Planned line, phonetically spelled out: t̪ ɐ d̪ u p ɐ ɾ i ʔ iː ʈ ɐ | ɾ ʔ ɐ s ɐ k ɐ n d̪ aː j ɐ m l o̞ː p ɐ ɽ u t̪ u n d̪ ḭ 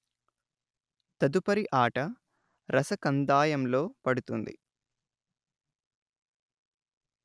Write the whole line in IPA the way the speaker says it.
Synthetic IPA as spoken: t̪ ɐ d̪ u p ɐ ɾ i ʔ aː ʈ ɐ | ɾ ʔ ɐ s ɐ k ɐ n d̪ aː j ɐ m l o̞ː p ɐ ɽ u t̪ u n d̪ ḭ

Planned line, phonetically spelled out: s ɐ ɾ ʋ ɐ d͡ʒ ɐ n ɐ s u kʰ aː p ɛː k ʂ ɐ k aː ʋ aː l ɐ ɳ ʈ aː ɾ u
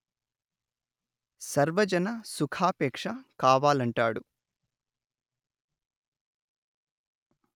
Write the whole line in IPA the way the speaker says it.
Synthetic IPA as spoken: s ɐ ɾ ʋ ɐ d͡ʒ ɐ n ɐ s u kʰ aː p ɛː k ʂ ɐ k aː ʋ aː l ɐ ɳ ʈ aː ɽ u

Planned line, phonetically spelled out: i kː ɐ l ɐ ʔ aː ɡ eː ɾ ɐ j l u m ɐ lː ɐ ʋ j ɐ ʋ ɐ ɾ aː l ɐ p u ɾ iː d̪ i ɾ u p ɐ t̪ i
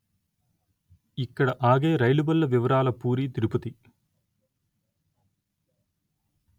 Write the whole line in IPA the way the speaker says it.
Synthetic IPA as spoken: i kː ɐ ɽ ɐ ʔ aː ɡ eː ɾ ɐ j l u b ɐ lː ɐ ʋ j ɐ ʋ ɐ ɾ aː l ɐ p uː ɾ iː t̪ i ɾ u p ɐ t̪ i

